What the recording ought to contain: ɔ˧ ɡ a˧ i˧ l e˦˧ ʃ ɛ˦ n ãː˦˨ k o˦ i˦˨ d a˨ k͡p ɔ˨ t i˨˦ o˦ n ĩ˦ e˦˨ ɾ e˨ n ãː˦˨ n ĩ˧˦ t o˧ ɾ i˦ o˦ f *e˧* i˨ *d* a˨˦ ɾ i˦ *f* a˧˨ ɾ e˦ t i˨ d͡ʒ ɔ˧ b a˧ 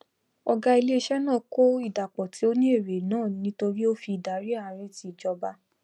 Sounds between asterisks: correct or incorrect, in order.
incorrect: i˧, correct, incorrect: none

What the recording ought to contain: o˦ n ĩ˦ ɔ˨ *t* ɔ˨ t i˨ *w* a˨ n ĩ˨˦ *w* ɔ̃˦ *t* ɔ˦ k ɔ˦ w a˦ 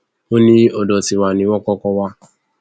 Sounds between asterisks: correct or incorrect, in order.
incorrect: d, correct, correct, incorrect: k

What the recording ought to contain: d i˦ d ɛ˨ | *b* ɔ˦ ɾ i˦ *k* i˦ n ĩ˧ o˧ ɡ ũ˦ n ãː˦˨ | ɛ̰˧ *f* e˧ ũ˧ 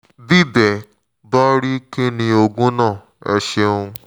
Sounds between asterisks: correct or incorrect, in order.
correct, correct, incorrect: ʃ

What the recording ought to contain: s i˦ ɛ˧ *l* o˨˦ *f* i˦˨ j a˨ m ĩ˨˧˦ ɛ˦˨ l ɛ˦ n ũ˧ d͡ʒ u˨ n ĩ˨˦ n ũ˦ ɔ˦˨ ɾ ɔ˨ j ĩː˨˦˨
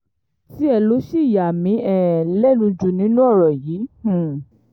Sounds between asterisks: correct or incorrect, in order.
correct, incorrect: ʃ

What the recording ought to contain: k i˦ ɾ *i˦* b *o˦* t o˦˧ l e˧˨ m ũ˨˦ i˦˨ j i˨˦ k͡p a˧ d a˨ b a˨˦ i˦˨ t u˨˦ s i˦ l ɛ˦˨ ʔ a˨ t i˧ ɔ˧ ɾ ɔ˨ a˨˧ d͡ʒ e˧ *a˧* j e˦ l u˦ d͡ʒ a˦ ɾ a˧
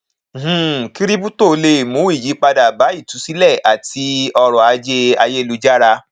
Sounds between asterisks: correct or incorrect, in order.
correct, incorrect: u˦, correct

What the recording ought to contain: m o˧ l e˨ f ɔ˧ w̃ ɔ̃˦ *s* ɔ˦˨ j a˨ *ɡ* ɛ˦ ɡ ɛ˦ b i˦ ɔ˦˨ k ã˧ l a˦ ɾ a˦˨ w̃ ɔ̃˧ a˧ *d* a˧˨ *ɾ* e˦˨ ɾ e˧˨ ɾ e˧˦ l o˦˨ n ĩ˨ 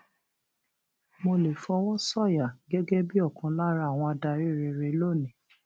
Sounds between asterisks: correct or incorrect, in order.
correct, correct, correct, correct

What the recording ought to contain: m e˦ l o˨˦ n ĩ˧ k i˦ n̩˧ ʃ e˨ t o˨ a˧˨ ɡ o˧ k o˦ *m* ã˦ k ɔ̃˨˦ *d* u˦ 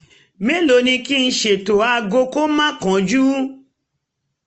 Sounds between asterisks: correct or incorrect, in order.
correct, incorrect: d͡ʒ

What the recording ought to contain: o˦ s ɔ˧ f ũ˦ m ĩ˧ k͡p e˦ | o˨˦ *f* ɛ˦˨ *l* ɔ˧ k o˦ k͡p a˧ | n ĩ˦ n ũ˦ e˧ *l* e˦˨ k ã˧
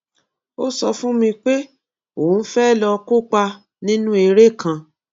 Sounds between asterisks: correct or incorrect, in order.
correct, correct, incorrect: ɾ

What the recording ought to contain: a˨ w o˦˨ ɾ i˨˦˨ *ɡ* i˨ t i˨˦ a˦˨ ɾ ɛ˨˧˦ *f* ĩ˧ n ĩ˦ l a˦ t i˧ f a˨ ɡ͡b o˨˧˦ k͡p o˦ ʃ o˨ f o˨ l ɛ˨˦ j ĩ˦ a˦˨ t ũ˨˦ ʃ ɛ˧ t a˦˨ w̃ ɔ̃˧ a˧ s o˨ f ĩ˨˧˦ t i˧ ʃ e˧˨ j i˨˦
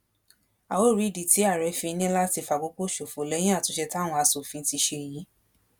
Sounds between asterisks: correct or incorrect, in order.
incorrect: d, correct

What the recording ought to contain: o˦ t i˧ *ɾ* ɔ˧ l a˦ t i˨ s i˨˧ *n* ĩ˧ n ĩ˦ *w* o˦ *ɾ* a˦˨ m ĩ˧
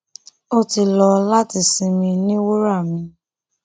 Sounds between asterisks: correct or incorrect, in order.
incorrect: l, incorrect: m, correct, correct

